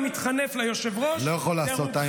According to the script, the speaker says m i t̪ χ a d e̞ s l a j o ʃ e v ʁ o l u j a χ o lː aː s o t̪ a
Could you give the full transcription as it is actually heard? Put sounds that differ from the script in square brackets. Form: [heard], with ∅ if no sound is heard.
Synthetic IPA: m i t̪ χ a [n] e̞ [f] l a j o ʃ e v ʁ o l [o] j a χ o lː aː s o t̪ a